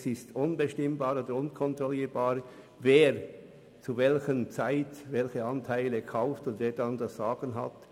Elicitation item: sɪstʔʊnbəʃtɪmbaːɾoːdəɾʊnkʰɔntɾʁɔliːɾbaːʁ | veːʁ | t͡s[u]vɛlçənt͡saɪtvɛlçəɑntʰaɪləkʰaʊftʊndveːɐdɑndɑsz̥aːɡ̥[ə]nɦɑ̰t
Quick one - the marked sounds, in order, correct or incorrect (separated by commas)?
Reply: correct, correct